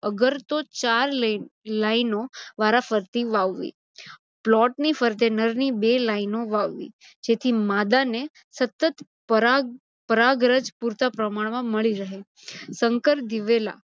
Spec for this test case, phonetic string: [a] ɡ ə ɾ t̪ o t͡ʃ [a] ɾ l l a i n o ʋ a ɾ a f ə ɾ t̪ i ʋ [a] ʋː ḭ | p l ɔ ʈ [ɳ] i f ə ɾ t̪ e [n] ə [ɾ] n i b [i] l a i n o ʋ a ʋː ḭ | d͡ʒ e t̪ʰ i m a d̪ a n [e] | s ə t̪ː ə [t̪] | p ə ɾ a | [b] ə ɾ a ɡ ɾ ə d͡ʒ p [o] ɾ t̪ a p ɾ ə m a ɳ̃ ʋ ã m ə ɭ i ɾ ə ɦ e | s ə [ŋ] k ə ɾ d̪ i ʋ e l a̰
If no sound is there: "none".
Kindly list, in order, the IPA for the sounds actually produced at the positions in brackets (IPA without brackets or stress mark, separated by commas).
ə, a, a, n, n, ɾ, e, e, t̪, p, u, ŋ